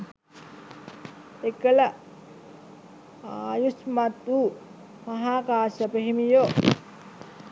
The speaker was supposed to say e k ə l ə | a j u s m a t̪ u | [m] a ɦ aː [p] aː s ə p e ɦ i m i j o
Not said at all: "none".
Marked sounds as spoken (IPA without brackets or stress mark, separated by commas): m, k